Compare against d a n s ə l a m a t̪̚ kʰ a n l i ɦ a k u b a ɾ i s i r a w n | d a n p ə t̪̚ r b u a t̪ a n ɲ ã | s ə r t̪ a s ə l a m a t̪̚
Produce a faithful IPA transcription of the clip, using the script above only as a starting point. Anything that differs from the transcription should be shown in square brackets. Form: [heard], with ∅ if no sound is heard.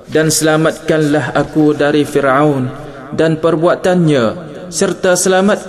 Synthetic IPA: d a n s ə l a m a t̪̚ [k] a n l [a] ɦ a k u [d] a ɾ i [f] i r a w n | d a n p ə [∅] r b u a t̪ a n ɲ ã | s ə r t̪ a s ə l a m a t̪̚